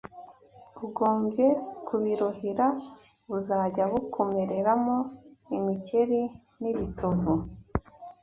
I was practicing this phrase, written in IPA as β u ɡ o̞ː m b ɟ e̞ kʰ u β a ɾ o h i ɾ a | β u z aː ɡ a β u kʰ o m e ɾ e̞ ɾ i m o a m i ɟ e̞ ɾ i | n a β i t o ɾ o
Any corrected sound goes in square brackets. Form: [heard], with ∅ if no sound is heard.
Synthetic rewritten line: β u ɡ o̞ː m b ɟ e̞ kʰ u β [i] ɾ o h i ɾ a | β u z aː [ɟ] a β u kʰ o m e ɾ e̞ ɾ [a] m o [i] m i [c] e̞ ɾ i | n [i] β i t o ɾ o